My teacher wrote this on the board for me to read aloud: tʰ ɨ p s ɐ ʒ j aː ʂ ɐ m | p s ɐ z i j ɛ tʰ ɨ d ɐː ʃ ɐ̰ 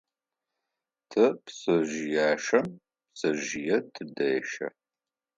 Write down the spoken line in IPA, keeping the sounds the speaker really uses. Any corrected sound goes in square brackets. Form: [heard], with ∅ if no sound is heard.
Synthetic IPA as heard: tʰ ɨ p s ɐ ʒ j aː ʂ ɐ m | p s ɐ [ʒ] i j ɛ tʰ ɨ d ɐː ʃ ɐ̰